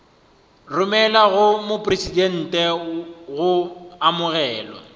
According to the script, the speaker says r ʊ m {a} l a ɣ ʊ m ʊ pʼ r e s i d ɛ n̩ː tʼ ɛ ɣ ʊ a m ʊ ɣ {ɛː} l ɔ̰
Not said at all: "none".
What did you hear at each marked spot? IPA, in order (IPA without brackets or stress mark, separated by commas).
ɛ, ɛː